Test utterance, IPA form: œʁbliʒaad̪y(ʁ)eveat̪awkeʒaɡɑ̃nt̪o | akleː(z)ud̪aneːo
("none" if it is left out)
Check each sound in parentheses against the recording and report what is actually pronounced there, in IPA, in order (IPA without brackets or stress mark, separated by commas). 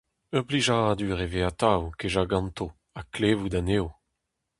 ʁ, v